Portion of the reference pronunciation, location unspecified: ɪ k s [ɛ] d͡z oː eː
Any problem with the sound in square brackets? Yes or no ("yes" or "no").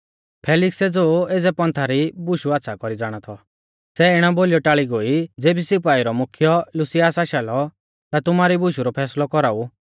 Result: no